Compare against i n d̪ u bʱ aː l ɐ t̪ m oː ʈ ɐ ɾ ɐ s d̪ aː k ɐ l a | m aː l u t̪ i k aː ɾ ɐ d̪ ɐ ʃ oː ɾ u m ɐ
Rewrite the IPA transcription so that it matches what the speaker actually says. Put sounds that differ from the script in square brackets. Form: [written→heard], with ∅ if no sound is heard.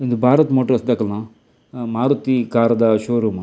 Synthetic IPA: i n d̪ u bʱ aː [l→ɾ] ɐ t̪ m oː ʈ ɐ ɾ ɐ s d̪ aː k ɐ l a | m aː [l→ɾ] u t̪ i k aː ɾ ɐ d̪ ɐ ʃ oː ɾ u m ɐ